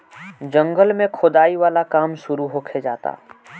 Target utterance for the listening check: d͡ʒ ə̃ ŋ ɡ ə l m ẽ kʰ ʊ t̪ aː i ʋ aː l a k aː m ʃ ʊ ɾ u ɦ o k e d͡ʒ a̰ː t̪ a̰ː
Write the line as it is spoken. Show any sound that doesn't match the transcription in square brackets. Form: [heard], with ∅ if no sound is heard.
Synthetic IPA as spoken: d͡ʒ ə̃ ŋ ɡ ə l m ẽ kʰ ʊ [d̪] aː i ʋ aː l a k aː m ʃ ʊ ɾ u ɦ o [kʰ] e d͡ʒ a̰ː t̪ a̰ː